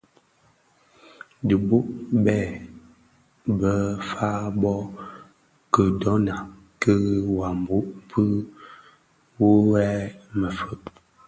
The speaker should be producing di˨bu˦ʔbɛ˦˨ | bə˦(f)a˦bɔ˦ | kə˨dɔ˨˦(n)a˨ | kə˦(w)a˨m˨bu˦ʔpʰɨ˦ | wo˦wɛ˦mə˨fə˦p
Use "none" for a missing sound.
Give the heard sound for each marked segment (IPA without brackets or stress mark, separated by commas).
f, n, w